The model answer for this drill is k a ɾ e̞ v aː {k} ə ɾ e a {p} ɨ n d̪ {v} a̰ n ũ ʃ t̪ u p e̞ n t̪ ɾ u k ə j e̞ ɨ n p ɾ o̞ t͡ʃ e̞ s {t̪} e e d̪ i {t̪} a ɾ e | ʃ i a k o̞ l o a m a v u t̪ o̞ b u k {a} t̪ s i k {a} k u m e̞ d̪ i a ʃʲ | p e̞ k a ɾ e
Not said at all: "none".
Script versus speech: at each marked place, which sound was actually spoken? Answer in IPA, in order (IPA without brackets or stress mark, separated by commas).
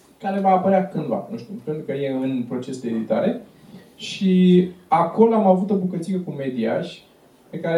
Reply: p, k, v, d̪, t̪, ə, ə